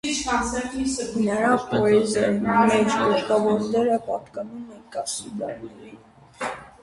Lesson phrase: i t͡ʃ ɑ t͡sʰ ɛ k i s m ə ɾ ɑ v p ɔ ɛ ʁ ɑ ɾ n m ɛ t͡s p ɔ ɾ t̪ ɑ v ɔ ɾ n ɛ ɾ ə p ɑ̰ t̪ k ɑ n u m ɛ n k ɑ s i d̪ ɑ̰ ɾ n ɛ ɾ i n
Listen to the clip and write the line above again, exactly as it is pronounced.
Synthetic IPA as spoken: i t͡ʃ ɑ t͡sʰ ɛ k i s n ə ɾ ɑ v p ɔ ɛ z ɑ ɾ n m ɛ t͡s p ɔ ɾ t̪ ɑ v ɔ ɾ n ɛ ɾ ə p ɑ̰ t̪ k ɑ n u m ɛ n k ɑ s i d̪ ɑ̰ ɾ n ɛ ɾ i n